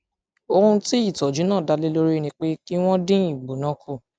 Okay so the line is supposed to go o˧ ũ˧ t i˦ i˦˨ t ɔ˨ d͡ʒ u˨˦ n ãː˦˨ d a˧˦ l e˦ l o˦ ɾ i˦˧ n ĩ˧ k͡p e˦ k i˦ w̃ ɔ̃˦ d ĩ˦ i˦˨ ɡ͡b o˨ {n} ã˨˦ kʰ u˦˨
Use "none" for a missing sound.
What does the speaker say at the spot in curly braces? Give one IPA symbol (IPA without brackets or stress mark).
n